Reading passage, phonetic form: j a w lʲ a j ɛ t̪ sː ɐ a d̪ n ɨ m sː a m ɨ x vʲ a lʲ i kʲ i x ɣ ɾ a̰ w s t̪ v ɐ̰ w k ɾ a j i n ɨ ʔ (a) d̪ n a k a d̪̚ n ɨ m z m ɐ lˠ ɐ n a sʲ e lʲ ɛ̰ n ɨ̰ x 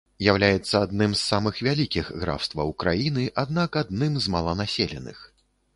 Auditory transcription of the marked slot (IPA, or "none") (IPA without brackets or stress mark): a